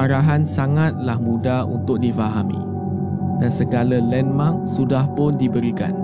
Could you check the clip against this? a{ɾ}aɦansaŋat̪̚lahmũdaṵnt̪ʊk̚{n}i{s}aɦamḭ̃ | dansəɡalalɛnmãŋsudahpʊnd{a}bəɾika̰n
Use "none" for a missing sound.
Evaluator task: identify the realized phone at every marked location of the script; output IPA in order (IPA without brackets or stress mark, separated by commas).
ɾ, d, f, i